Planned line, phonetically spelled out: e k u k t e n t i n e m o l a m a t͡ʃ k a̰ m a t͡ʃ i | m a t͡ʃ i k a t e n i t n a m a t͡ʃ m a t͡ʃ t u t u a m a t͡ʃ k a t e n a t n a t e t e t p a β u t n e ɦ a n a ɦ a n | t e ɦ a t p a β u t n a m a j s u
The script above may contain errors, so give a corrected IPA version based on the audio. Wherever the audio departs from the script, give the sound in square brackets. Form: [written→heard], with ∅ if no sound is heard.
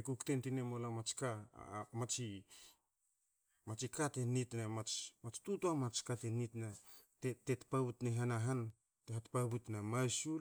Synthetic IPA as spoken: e k u k t e n t i n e m o l a m a t͡ʃ k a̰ m a t͡ʃ i | m a t͡ʃ i k a t e n i t n a m a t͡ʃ m a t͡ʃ t u t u a m a t͡ʃ k a t e n [a→i] t n a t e t e t p a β u t n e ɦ a n a ɦ a n | t e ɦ a t p a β u t n a m a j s u